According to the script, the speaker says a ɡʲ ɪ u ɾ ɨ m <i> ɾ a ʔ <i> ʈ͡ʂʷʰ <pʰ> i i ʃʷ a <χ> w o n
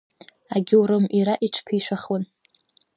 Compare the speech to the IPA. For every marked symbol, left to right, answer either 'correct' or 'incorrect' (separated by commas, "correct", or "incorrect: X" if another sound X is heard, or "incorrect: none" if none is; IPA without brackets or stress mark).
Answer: correct, correct, correct, correct